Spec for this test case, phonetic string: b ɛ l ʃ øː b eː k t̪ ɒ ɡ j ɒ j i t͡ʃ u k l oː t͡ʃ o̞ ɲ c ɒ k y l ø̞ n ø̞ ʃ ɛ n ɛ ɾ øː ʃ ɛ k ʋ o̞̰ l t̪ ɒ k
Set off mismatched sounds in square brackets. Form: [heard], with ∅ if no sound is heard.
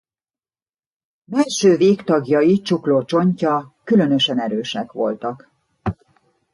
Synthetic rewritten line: b ɛ l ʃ øː [v] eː k t̪ ɒ ɡ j ɒ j i t͡ʃ u k l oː t͡ʃ o̞ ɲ c ɒ k y l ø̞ n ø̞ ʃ ɛ n ɛ ɾ øː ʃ ɛ k ʋ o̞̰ l t̪ ɒ k